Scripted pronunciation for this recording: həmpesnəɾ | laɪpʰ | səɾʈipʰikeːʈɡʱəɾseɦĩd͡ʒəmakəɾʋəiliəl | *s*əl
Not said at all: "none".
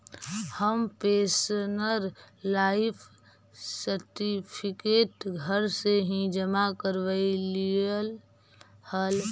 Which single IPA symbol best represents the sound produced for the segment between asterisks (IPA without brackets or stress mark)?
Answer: h